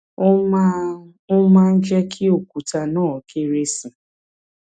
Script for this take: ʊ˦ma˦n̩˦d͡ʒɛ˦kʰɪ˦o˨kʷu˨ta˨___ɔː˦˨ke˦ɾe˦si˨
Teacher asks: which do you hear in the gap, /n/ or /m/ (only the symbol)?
n